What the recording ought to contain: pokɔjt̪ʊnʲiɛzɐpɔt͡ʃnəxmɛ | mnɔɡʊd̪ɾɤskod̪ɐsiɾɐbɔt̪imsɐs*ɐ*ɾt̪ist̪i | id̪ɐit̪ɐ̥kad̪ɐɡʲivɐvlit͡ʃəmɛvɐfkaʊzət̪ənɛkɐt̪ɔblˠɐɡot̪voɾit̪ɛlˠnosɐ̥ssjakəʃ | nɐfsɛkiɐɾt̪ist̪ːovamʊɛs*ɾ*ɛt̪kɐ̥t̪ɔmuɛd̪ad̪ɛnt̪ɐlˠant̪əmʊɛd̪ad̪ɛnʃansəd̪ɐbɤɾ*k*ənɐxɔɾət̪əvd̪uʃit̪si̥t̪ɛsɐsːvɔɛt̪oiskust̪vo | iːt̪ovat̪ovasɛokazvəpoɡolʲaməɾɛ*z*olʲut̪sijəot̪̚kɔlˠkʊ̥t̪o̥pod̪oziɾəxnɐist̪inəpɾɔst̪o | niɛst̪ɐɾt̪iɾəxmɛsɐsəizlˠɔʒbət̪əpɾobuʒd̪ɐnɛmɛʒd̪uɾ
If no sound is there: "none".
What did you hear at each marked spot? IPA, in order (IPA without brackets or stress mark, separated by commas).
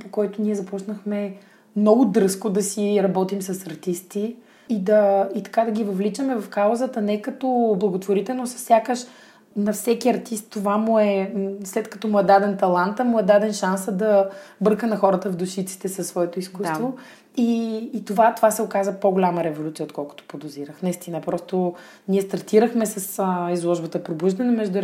ɐ, l, k, v